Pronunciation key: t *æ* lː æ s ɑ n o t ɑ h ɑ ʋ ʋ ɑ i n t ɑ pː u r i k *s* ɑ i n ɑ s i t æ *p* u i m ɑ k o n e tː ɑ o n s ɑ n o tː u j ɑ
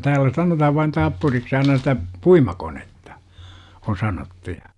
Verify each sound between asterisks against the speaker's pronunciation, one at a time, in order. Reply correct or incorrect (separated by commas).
incorrect, correct, correct